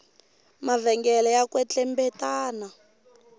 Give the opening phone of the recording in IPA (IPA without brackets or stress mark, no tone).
m